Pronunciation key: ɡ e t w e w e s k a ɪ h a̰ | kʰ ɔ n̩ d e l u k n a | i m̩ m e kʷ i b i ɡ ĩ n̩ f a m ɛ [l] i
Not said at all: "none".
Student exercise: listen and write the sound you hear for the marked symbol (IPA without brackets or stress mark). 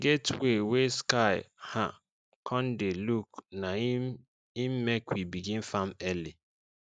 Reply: l